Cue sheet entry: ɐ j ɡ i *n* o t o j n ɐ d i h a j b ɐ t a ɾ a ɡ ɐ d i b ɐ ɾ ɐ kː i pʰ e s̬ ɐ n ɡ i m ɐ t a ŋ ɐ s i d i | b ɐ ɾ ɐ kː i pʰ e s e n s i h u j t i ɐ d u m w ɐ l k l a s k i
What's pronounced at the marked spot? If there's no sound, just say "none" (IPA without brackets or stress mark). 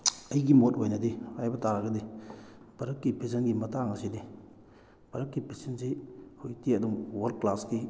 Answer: m